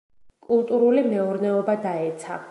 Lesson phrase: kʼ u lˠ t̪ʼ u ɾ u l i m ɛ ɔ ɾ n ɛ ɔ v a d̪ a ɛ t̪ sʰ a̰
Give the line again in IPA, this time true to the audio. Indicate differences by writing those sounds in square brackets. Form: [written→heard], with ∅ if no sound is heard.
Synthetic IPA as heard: kʼ u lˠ t̪ʼ u ɾ u l i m ɛ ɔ ɾ n ɛ ɔ [v→b] a d̪ a ɛ t̪ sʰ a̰